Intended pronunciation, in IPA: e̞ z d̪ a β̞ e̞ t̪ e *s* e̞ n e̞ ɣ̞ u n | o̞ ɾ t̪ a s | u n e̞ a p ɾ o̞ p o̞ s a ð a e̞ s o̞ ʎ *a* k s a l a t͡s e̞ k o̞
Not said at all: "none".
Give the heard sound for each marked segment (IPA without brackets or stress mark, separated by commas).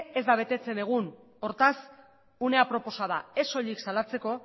t͡s, i